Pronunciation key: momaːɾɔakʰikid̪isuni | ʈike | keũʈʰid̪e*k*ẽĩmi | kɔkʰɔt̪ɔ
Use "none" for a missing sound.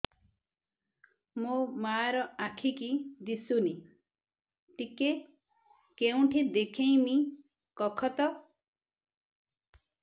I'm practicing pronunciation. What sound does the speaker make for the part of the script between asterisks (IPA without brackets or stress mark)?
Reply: kʰ